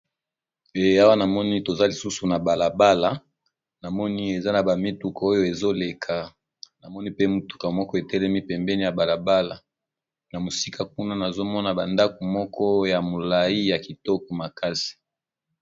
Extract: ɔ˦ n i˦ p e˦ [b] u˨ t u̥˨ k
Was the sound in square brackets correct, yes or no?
no